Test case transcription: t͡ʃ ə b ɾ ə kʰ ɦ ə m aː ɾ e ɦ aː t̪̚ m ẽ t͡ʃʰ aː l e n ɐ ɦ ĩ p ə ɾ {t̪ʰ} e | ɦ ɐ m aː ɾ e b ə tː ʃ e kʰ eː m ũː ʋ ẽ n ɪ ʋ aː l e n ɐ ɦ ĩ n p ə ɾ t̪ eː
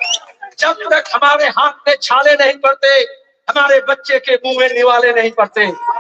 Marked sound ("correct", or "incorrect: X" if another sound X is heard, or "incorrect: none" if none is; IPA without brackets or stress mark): incorrect: t̪